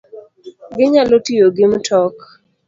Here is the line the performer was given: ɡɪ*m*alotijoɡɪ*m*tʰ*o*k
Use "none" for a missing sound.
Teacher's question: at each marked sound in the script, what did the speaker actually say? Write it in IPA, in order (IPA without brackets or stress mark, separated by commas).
ɲ, m, ɔ